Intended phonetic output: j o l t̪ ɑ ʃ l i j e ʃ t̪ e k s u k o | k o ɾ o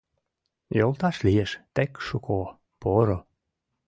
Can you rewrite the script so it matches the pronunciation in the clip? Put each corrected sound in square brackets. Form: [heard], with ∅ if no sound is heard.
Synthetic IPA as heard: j o l t̪ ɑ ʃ l i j e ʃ t̪ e k [ʃ] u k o | [p] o ɾ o